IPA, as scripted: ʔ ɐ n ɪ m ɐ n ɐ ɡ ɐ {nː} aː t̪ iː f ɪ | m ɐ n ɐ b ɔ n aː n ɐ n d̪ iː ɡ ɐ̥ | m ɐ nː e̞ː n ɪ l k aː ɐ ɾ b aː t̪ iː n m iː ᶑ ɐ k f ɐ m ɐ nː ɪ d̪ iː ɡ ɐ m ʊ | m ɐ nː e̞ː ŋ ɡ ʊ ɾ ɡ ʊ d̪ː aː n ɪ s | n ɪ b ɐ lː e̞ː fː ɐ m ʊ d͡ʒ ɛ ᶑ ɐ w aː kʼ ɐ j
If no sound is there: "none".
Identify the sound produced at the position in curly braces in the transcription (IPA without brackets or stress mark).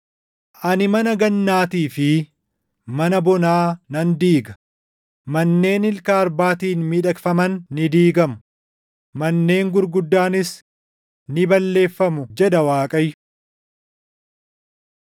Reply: nː